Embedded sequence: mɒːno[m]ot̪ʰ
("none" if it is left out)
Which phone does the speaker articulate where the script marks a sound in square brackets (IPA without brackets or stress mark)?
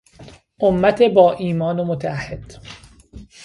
m